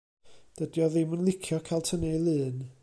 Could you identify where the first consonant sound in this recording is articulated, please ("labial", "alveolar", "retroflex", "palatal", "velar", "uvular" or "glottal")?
alveolar